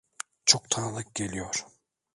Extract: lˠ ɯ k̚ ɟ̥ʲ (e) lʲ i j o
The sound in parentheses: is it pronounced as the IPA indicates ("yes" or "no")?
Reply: yes